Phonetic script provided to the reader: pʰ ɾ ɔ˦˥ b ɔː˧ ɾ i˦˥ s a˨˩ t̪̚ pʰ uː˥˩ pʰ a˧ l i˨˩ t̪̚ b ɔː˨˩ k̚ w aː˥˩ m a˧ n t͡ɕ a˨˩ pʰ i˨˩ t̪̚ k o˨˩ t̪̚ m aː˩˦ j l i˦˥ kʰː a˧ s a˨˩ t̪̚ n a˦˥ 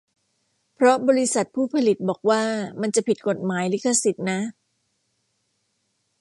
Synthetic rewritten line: pʰ ɾ ɔ˦˥ b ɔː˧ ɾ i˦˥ s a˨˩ t̪̚ pʰ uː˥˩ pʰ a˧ l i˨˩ t̪̚ b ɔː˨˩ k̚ w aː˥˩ m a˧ n t͡ɕ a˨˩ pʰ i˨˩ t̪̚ k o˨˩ t̪̚ m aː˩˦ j l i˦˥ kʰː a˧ s i˨˩ t̪̚ n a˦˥